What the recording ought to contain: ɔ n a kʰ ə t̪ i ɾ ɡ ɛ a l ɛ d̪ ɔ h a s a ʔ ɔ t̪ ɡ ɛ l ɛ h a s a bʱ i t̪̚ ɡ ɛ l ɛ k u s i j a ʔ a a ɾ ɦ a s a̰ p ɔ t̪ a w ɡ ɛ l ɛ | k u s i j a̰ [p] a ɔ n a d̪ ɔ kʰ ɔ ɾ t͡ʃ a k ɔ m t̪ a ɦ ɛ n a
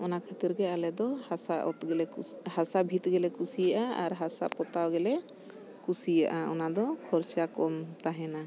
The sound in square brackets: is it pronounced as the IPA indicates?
no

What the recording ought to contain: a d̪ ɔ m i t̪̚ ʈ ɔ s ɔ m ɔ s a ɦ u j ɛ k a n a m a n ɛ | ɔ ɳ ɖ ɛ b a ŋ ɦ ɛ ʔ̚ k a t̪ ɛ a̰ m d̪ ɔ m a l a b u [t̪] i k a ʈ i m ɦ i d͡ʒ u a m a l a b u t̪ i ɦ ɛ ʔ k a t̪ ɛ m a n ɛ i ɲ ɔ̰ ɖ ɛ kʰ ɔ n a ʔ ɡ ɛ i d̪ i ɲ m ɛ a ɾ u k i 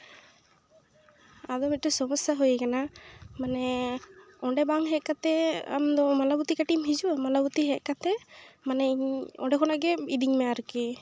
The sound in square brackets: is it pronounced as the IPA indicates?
yes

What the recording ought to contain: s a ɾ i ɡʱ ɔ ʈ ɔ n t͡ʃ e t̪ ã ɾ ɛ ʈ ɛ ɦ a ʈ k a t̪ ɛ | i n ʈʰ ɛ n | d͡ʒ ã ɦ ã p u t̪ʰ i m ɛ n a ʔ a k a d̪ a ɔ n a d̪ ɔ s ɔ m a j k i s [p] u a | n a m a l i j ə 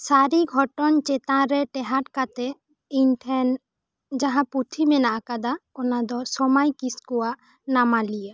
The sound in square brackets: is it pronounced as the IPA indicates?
no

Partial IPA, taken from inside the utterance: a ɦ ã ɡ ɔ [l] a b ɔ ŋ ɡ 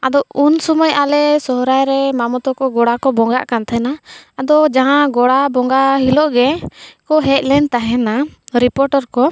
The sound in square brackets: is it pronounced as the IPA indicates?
no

